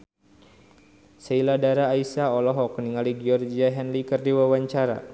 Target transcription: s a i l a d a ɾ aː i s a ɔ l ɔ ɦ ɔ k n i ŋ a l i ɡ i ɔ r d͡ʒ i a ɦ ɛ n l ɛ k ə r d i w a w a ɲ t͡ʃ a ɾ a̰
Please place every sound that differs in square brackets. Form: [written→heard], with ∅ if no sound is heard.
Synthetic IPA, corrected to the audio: s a i l a d a ɾ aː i s a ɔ l ɔ ɦ ɔ k n i ŋ a l i ɡ i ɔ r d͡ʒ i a ɦ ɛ n l [ɛ→i] k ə r d i w a w a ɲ t͡ʃ a ɾ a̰